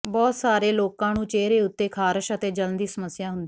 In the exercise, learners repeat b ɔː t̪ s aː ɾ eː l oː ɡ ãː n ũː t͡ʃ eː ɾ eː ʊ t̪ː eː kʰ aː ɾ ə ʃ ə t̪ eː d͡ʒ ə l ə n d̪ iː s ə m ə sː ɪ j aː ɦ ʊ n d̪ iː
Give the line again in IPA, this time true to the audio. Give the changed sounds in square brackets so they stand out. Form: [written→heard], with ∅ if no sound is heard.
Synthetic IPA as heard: b ɔː t̪ s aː ɾ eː l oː [ɡ→k] ãː n ũː t͡ʃ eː ɾ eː ʊ t̪ː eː kʰ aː ɾ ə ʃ ə t̪ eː d͡ʒ ə l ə n d̪ iː s ə m ə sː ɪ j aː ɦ ʊ n d̪ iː